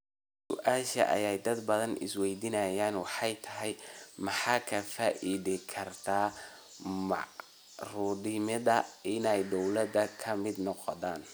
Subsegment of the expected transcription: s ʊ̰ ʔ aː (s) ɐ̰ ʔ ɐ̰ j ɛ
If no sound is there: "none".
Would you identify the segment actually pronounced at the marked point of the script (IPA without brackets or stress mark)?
ʃ